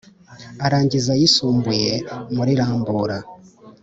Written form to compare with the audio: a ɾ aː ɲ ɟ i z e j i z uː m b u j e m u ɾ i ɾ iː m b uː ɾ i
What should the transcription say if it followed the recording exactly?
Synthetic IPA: a ɾ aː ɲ ɟ i z a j i s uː m b u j e m u ɾ i ɾ aː m b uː ɾ a